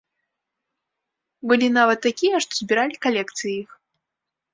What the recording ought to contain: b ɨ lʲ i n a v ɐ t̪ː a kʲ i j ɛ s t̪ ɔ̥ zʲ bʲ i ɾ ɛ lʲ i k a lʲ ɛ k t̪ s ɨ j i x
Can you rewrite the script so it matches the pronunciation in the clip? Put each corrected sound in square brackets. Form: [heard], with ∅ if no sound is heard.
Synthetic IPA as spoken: b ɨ lʲ i n a v ɐ t̪ː a kʲ i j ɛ [ʂ] t̪ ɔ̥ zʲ bʲ i ɾ [a] lʲ i k a lʲ ɛ k t̪ s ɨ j i x